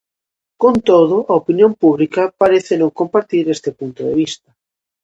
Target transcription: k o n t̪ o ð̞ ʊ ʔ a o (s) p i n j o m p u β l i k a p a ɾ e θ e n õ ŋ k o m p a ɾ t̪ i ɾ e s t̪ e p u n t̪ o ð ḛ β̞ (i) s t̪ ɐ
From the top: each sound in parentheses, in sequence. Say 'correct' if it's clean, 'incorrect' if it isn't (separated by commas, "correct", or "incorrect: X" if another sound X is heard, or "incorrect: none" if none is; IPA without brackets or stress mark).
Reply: incorrect: none, correct